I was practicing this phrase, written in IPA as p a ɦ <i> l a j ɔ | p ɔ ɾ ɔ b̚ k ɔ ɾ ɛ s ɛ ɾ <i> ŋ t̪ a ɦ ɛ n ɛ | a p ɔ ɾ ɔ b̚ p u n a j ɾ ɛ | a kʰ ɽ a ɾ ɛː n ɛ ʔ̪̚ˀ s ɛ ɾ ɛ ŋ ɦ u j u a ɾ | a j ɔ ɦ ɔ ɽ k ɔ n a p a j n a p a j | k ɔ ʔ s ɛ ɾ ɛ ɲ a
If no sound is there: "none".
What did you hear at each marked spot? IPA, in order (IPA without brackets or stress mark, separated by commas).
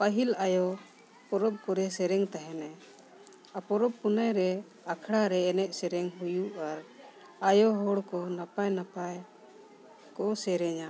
i, ɛ